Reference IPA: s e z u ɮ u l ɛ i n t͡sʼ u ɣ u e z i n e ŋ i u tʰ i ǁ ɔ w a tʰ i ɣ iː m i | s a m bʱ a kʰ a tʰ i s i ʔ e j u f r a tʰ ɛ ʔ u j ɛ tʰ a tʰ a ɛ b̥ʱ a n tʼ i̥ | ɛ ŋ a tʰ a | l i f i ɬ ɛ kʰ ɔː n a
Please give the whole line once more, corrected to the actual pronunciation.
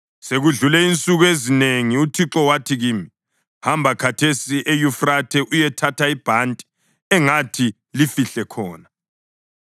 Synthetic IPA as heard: s e ɣ u ɮ u l ɛ i n t͡sʼ u ɣ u e z i n e ŋ i u tʰ i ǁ ɔ w a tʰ i ɣ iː m i | h a m bʱ a kʰ a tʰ e s i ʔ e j u f r a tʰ ɛ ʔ u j ɛ tʰ a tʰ a i b̥ʱ a n tʼ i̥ | ɛ ŋ a tʰ i | l i f i ɬ ɛ kʰ ɔː n a